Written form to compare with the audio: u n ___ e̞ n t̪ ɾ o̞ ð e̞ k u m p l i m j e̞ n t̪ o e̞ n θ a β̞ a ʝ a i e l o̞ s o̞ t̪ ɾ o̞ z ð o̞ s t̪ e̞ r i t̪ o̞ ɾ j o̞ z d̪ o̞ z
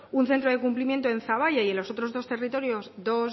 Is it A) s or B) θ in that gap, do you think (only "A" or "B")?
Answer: B